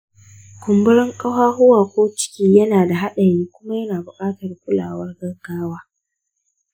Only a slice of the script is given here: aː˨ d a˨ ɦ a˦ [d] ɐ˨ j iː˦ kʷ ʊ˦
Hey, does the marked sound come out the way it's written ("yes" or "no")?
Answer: no